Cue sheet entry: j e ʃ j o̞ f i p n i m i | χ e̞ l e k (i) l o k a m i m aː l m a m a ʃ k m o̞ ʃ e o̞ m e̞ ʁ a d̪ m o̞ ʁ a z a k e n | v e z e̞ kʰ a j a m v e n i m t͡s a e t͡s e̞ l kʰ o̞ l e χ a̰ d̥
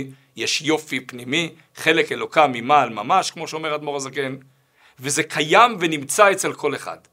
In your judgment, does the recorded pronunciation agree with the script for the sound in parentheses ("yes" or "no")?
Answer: no